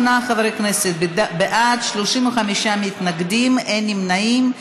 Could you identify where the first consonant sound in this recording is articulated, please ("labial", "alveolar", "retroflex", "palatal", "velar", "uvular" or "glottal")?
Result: alveolar